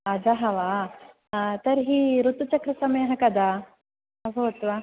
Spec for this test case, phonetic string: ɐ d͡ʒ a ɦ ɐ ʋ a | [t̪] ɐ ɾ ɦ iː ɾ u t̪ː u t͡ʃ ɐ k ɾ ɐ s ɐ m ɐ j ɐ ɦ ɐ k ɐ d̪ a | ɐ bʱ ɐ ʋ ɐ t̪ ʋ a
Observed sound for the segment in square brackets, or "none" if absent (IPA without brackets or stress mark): t̪